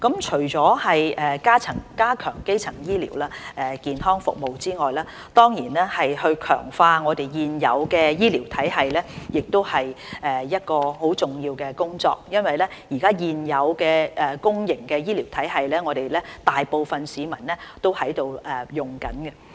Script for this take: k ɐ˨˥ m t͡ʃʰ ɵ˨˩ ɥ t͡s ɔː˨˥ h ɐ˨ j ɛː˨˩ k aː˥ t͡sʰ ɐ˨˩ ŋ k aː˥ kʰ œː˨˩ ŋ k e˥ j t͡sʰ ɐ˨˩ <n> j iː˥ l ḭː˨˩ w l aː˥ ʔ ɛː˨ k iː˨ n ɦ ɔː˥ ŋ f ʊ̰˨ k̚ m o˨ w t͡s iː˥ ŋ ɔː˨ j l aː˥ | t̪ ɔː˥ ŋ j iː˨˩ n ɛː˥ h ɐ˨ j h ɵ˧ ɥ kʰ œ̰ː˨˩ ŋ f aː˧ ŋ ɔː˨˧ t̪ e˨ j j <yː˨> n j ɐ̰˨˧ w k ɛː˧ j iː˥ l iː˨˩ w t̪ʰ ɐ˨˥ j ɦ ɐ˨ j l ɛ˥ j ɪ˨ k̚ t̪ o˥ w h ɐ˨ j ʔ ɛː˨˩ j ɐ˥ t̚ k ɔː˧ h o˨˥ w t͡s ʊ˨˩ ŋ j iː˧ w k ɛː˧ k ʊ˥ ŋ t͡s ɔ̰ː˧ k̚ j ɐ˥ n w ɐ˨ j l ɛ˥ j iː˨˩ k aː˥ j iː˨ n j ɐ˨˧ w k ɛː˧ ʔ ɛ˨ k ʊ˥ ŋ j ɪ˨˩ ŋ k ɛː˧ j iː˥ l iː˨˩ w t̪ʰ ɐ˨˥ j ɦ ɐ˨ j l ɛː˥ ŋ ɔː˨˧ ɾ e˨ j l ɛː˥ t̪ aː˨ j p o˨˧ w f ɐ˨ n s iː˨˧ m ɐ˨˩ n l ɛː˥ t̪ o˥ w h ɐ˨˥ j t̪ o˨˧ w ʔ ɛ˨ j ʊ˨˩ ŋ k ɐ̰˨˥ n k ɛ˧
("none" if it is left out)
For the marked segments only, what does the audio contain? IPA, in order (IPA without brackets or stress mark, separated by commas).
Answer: ŋ, iː˨